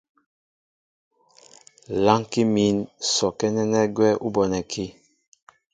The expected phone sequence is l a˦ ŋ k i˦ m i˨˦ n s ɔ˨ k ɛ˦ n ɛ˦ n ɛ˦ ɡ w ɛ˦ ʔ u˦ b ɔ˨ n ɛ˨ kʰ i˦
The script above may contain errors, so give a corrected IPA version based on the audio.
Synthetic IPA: l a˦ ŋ k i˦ m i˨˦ n s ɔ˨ k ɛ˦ n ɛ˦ n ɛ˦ ɡ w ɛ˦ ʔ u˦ b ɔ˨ n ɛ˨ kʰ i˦